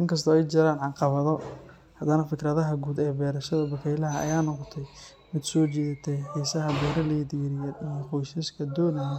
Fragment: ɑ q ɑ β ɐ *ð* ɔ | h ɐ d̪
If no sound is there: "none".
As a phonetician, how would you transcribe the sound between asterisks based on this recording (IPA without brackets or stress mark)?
ð